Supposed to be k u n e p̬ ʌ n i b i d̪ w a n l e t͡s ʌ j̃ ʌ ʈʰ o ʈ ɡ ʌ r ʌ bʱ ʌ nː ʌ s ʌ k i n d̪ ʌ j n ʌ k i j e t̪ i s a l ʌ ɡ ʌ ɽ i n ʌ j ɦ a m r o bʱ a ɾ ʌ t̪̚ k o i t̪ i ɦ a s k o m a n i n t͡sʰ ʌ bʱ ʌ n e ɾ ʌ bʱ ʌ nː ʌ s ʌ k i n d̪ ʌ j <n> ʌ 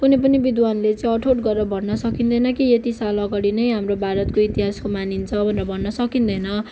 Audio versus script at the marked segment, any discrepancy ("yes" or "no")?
no